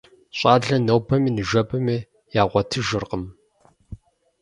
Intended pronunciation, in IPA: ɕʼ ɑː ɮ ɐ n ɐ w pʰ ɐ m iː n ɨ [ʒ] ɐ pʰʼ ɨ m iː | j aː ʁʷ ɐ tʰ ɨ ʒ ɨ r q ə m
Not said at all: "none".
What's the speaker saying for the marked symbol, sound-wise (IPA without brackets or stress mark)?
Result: ʒ